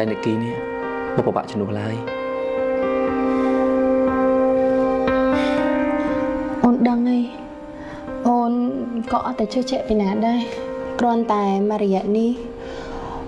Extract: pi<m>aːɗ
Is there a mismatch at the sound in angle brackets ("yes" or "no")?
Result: yes